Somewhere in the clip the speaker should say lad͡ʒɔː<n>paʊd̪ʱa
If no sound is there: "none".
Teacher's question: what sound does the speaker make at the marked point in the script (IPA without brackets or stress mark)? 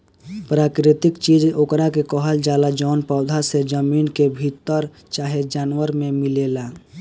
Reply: n